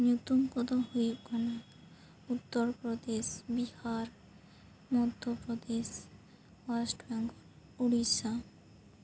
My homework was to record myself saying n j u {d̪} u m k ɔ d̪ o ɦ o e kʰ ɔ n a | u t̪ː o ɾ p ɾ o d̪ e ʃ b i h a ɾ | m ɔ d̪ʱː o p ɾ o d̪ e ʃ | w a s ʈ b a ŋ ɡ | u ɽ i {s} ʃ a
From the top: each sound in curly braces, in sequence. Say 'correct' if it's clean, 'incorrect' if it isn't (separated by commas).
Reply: incorrect, incorrect